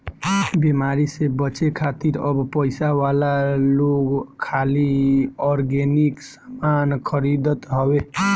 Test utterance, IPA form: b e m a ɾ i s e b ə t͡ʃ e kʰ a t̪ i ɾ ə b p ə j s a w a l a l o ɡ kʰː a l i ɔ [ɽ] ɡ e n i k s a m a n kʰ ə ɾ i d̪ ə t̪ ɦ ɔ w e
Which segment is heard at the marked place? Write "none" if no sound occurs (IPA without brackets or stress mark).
ɾ